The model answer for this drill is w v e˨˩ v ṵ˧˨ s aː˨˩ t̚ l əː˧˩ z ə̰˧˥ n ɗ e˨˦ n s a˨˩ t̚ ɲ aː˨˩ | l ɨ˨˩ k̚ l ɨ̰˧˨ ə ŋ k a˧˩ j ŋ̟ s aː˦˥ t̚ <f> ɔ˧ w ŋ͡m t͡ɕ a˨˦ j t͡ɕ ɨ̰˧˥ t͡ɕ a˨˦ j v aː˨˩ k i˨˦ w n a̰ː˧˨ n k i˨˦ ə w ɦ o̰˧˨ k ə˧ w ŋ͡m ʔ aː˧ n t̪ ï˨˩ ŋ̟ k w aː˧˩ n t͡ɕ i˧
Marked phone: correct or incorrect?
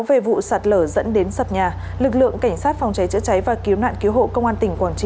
correct